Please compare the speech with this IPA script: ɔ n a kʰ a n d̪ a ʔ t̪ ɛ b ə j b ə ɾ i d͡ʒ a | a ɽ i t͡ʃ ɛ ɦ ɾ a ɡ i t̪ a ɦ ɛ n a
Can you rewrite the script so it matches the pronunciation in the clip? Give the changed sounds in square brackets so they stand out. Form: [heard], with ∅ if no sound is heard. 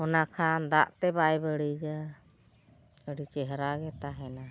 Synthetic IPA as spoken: ɔ n a kʰ a n d̪ a ʔ t̪ ɛ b [a] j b ə [ɽ] i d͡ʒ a | [ə] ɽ i t͡ʃ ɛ ɦ ɾ a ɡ [ɛ] t̪ a ɦ ɛ n a